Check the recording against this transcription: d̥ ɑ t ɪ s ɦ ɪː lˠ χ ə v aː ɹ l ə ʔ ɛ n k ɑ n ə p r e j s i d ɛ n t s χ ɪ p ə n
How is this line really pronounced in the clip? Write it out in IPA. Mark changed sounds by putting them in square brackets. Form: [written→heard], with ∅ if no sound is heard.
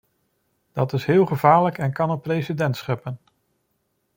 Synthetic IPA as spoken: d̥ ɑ t ɪ s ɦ ɪː lˠ χ ə v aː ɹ l ə [ʔ→k] ɛ n k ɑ n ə p r e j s i d ɛ n t s χ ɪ p ə n